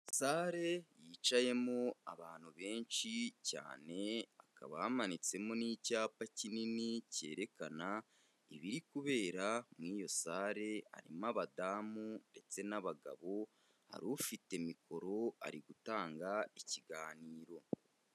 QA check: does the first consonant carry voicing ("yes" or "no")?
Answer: no